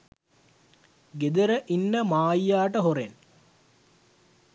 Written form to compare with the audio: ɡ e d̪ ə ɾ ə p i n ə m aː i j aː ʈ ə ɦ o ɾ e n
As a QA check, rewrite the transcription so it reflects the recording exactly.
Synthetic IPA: ɡ e d̪ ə ɾ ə ʔ i nː ə m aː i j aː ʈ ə ɦ o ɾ e n